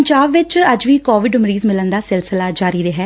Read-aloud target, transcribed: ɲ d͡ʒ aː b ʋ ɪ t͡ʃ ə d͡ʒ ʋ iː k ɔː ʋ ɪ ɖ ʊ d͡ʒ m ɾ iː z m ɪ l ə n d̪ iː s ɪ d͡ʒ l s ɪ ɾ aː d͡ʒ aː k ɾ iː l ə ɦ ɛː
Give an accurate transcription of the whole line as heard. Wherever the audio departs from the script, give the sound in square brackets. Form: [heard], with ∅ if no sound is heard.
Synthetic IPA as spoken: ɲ d͡ʒ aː b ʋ ɪ t͡ʃ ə d͡ʒ ʋ iː k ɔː ʋ ɪ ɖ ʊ [∅] m ɾ iː z m ɪ l ə n d̪ [aː] s ɪ [∅] l s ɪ [l] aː d͡ʒ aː [∅] ɾ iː [ɾ] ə ɦ ɛː

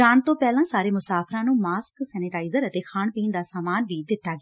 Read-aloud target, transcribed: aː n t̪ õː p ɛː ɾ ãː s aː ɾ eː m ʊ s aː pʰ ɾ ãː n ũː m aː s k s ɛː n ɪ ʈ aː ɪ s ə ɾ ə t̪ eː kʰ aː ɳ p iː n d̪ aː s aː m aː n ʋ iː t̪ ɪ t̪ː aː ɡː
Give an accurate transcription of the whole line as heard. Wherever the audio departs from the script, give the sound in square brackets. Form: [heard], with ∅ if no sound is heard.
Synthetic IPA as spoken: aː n t̪ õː p ɛː [l] ãː s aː ɾ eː m ʊ s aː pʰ ɾ ãː n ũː m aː s k s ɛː n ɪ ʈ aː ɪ [z] ə ɾ ə t̪ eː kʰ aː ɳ p iː n d̪ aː s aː m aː n ʋ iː [d̪] ɪ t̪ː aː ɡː

